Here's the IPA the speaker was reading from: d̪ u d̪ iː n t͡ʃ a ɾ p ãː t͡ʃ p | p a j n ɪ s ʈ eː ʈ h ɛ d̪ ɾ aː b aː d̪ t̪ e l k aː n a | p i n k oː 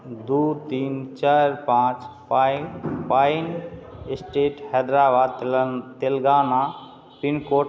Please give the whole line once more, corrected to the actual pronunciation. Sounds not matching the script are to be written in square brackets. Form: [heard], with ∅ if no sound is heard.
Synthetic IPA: d̪ u [t̪] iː n t͡ʃ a ɾ p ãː t͡ʃ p | p a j n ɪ s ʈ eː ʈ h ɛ d̪ ɾ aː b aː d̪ t̪ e l [ɡ] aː n a | p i n k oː